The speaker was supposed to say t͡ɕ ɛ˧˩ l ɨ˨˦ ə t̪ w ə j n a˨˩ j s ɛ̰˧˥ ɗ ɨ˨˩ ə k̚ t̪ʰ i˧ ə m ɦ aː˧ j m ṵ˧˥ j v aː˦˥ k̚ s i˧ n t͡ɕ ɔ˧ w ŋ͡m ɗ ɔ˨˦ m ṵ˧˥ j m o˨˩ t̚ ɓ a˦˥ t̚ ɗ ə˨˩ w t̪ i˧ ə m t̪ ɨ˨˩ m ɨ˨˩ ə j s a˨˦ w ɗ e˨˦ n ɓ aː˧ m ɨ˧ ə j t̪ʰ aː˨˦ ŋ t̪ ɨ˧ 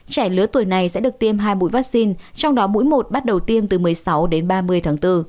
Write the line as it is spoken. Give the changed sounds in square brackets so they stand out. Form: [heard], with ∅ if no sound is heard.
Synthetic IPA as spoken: t͡ɕ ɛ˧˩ l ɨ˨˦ ə t̪ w ə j n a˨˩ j s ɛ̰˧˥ ɗ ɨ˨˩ ə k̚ [t̪] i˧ ə m ɦ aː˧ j m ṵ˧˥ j v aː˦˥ k̚ s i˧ n t͡ɕ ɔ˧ w ŋ͡m ɗ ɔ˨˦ m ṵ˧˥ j m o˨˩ t̚ ɓ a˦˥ t̚ ɗ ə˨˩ w t̪ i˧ ə m t̪ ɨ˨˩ m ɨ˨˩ ə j s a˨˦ w ɗ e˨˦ n ɓ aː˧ m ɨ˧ ə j t̪ʰ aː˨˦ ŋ t̪ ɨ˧